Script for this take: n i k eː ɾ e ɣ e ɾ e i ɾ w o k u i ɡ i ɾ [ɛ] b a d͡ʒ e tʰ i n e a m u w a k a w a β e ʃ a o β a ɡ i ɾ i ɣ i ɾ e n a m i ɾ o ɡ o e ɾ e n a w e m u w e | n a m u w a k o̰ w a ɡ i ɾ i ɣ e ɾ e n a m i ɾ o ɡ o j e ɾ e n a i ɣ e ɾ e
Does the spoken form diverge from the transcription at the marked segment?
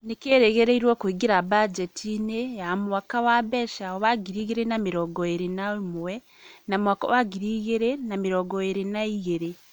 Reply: yes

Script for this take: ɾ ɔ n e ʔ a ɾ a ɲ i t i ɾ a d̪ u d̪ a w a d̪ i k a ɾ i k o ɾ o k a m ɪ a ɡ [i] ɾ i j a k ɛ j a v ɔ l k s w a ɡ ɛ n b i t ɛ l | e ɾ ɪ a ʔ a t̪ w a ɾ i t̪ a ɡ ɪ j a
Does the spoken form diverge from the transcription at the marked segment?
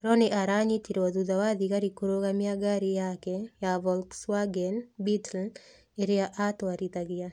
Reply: yes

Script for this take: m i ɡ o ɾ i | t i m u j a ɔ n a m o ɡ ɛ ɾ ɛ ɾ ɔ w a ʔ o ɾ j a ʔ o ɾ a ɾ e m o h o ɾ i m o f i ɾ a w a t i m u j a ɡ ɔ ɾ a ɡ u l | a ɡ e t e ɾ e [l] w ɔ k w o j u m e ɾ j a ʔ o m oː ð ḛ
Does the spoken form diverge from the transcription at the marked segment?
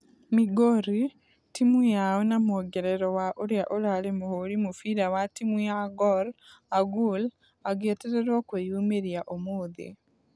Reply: yes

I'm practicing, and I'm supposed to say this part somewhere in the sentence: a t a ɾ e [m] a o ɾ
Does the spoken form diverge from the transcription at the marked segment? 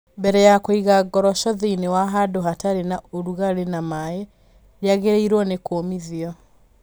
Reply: yes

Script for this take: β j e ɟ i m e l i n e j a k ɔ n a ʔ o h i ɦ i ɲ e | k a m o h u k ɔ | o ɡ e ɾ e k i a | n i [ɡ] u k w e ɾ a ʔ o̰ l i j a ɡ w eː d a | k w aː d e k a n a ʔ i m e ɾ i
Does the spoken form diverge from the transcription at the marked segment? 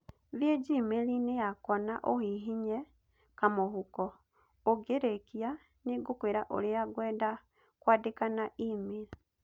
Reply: no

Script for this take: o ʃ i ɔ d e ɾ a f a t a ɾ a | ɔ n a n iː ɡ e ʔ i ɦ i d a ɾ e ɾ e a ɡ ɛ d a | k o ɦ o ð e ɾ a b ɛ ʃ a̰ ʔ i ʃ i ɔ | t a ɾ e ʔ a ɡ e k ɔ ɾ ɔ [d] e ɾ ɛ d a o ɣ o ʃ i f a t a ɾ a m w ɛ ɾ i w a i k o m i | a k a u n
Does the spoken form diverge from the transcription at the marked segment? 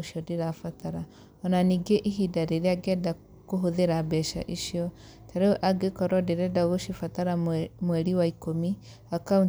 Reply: no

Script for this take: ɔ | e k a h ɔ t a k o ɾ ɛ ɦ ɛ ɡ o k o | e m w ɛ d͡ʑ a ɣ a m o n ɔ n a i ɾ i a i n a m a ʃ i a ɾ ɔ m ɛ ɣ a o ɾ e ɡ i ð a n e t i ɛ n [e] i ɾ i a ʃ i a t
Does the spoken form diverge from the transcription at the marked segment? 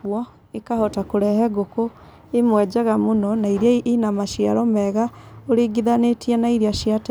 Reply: yes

